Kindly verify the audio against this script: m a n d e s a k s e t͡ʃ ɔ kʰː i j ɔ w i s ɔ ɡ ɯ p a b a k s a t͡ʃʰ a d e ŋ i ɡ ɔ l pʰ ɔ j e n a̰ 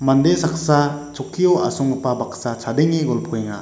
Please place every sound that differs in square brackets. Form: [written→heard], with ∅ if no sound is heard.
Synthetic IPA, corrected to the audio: m a n d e s a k s [e→a] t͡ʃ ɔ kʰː i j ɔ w [i→a] s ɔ [ɡ→ŋ] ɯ p a b a k s a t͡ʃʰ a d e ŋ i ɡ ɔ l pʰ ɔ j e [n→ŋ] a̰